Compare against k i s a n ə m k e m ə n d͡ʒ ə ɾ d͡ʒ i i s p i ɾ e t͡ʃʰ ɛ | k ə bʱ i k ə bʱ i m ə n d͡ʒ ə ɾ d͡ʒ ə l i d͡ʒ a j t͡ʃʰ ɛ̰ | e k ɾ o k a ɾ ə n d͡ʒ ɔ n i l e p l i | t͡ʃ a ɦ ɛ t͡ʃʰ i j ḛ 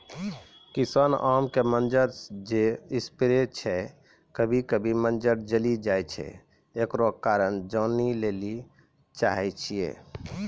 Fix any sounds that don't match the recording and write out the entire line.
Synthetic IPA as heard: k i s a n a m k e m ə n d͡ʒ ə ɾ d͡ʒ e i s p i ɾ e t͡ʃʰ ɛ | k ə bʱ i k ə bʱ i m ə n d͡ʒ ə ɾ d͡ʒ ə l i d͡ʒ a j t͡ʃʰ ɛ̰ | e k ɾ o k a ɾ ə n d͡ʒ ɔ n i l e l i | t͡ʃ a ɦ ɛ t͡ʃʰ i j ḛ